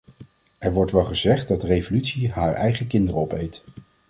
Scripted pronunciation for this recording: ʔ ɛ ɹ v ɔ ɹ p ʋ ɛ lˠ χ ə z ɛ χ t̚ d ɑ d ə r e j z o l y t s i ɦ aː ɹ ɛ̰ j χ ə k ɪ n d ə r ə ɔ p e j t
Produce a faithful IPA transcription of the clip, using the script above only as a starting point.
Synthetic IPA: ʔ ɛ ɹ ʋ ɔ ɹ t ʋ ɛ lˠ χ ə z ɛ χ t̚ d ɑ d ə r e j v o l y t s i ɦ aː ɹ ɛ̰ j χ ə k ɪ n d ə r ə ɔ p e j t